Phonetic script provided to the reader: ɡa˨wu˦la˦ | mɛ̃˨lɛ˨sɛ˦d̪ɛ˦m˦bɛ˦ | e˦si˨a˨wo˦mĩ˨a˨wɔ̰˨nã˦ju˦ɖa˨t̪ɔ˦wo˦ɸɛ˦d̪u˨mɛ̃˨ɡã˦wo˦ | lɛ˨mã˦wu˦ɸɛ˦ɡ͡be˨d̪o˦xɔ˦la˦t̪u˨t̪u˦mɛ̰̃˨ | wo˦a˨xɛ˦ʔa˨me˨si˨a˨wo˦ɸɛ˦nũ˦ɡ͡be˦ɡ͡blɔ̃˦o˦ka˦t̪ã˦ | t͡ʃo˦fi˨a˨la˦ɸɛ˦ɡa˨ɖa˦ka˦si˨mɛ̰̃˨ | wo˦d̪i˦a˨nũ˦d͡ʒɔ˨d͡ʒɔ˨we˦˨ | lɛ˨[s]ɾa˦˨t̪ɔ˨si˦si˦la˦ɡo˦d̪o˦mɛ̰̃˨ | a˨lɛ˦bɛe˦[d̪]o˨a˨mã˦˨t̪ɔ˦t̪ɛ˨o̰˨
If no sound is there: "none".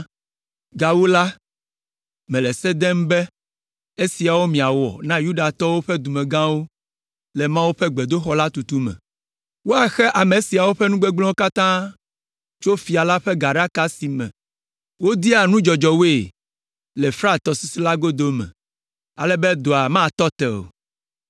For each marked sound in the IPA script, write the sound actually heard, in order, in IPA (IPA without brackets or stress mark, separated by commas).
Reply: f, d̪